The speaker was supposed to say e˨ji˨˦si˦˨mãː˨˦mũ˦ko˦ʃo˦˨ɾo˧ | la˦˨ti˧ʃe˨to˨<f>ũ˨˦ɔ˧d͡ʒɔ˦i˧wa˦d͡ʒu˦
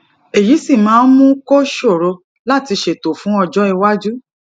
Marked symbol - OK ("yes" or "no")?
yes